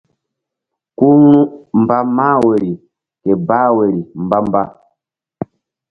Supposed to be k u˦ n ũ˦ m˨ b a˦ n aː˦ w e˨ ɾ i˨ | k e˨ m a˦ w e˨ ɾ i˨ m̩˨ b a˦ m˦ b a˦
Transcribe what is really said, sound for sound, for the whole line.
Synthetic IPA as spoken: k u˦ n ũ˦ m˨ b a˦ m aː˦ w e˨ ɾ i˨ | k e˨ b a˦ w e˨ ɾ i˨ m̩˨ b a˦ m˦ b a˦